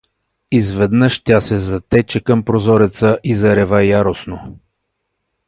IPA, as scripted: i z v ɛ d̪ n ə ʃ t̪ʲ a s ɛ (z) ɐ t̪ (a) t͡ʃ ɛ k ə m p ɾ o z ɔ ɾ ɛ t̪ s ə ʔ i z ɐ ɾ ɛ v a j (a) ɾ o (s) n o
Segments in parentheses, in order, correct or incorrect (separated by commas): correct, incorrect, correct, correct